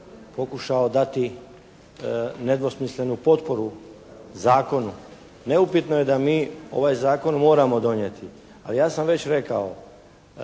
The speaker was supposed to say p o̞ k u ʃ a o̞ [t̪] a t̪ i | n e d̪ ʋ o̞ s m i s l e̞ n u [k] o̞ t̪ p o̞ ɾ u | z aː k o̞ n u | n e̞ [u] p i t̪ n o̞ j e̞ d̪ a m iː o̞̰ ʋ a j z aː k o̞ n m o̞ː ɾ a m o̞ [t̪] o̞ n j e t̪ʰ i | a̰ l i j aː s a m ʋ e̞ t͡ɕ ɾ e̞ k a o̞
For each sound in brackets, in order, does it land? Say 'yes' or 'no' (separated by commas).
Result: no, no, yes, no